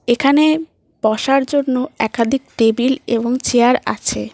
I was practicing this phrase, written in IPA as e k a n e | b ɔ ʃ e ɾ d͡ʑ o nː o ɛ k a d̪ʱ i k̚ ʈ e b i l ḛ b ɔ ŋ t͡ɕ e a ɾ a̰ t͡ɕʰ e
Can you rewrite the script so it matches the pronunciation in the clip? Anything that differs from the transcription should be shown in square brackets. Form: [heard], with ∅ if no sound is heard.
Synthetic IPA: e [kʰ] a n e | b ɔ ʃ [a] ɾ d͡ʑ o nː o ɛ k a d̪ʱ i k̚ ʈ e b i l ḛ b [o] ŋ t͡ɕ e a ɾ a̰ t͡ɕʰ e

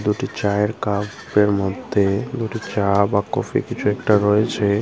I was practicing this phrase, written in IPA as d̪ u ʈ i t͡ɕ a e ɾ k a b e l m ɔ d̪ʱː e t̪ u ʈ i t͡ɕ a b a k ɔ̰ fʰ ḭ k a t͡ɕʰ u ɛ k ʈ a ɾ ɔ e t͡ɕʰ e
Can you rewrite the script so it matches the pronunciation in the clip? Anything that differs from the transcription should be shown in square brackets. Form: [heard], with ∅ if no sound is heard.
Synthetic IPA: d̪ u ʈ i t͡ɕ a e ɾ k a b e [ɾ] m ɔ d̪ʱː e [d̪] u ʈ i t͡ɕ a b a k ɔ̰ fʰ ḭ k [i] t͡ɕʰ u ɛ k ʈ a ɾ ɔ e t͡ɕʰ e

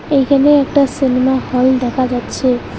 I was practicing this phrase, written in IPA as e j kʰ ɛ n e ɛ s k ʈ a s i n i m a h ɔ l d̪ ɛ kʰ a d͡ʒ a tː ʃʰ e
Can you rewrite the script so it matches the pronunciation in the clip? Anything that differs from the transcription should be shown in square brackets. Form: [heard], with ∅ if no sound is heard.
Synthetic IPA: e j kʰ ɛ n e ɛ [∅] k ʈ a s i n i m a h ɔ l d̪ ɛ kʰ a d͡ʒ a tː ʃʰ e

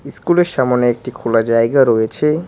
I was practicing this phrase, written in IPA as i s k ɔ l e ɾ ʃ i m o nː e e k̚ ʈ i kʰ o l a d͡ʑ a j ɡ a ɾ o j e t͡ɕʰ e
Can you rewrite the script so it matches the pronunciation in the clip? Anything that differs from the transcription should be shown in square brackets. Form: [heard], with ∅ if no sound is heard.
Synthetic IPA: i s k [u] l e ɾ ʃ [a] m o [n] e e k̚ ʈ i kʰ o l a d͡ʑ a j ɡ a ɾ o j e t͡ɕʰ e

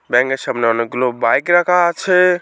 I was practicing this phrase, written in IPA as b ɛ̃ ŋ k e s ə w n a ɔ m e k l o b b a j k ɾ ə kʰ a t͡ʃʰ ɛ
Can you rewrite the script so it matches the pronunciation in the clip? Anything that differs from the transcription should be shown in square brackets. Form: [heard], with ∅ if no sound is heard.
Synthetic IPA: b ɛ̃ ŋ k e s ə [b] n [e] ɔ [n] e [ɡ] l o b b a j k ɾ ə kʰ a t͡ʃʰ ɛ

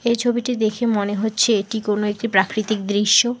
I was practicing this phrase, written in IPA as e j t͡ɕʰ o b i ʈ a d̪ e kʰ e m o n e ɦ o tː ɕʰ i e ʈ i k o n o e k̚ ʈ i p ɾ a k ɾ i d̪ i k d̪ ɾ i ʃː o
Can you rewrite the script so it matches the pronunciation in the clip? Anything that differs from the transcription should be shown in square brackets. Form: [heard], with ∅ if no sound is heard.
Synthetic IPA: e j t͡ɕʰ o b i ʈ [i] d̪ e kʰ e m o n e ɦ o tː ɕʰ [e] e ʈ i k o n o e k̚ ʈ i p ɾ a k ɾ i [t̪] i k d̪ ɾ i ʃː o

